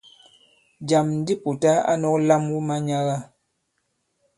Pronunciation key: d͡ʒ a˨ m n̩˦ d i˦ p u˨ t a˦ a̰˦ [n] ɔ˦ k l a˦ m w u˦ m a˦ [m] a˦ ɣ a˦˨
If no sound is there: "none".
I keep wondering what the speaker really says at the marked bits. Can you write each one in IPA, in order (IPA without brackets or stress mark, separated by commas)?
n, ɲ